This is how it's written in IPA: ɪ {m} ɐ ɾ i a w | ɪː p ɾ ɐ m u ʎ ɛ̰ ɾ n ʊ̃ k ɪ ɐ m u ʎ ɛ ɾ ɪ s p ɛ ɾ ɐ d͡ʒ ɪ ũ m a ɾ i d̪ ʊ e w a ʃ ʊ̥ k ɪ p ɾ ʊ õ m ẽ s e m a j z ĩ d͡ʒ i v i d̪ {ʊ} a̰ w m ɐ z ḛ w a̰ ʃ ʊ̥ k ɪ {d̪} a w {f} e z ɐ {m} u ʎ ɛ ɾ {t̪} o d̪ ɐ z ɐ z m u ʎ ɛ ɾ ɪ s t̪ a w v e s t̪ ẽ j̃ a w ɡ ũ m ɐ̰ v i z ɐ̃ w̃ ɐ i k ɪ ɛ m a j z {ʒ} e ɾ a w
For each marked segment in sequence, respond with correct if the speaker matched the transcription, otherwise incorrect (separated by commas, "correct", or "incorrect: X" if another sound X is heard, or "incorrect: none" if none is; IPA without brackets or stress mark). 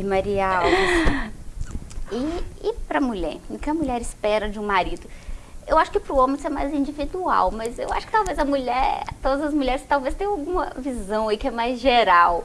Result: correct, incorrect: u, incorrect: t̪, incorrect: v, correct, correct, correct